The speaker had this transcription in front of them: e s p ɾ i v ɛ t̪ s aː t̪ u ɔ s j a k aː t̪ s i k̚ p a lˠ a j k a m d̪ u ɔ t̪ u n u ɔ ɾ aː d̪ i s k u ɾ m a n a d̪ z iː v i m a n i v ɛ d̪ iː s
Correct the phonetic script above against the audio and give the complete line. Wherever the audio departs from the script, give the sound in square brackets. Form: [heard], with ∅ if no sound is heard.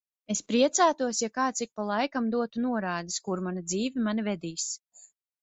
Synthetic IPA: e s p ɾ i [∅] ɛ t̪ s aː t̪ u ɔ s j a k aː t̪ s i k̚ p a lˠ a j k a m d̪ u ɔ t̪ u n u ɔ ɾ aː d̪ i s k u ɾ m a n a d̪ z iː v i m a n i v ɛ d̪ iː s